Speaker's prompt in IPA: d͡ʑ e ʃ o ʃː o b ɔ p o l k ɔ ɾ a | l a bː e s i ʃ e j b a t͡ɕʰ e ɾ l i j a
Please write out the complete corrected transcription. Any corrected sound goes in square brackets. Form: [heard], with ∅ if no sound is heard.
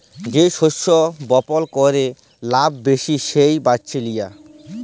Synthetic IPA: d͡ʑ e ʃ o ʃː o b ɔ p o l k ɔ ɾ [e] | l a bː e [ʃ] i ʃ e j b a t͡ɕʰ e [∅] l i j a

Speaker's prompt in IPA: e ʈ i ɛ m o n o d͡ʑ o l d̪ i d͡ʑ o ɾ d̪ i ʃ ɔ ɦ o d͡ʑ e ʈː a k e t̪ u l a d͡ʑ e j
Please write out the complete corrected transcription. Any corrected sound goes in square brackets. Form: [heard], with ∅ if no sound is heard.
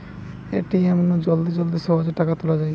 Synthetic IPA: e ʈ i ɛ m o n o d͡ʑ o l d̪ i d͡ʑ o [l] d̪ i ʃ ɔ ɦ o d͡ʑ e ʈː a k [a] t̪ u l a d͡ʑ [a] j

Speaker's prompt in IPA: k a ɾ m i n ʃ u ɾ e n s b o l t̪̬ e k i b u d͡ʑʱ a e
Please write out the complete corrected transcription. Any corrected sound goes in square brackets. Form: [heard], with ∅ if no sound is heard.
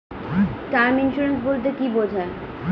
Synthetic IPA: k a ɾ m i n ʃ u ɾ e n s b o l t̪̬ e k i b [o] d͡ʑʱ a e

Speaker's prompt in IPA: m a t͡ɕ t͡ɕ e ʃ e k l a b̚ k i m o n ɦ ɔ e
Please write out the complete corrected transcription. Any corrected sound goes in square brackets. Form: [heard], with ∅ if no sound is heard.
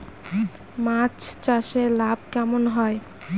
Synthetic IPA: m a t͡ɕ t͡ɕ [a] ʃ e [∅] l a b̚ k [ɛ] m o n ɦ ɔ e

